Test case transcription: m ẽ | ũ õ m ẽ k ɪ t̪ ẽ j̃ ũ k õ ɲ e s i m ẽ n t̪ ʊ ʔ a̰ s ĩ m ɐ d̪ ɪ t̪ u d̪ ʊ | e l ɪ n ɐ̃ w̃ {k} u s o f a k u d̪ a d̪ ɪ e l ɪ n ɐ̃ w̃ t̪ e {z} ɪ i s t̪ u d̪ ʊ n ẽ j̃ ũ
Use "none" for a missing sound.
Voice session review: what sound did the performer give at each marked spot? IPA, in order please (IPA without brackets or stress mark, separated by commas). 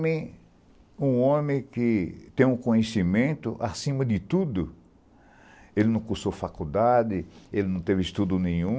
k, v